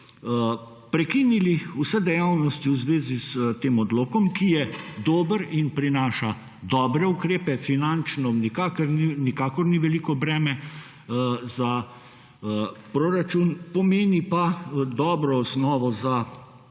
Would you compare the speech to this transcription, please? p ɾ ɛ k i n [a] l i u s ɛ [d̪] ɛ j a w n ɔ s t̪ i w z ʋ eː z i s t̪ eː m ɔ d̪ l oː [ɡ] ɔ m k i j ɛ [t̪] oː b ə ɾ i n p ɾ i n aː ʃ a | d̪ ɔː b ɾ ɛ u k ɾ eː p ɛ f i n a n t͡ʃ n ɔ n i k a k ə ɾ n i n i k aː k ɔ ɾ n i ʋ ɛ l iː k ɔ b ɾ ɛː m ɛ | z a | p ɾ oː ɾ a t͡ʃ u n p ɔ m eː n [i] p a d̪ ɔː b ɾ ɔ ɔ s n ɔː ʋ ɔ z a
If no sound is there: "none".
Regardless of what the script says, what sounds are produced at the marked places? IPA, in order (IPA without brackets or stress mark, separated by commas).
i, d̪, k, d̪, i